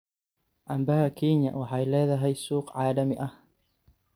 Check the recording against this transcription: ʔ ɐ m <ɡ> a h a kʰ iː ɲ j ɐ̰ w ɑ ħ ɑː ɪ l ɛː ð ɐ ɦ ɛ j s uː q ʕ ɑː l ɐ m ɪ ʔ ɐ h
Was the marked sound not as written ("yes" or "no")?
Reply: yes